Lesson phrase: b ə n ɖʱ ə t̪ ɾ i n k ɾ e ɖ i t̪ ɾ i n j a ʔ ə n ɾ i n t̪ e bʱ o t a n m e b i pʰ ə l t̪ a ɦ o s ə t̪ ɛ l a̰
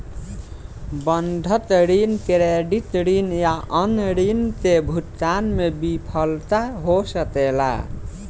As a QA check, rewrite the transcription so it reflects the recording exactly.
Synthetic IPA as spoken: b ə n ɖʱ ə t̪ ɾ i n k ɾ e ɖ i t̪ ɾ i n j a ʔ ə n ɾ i n t̪ e bʱ u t a n m e b i pʰ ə l t̪ a ɦ o s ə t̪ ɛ l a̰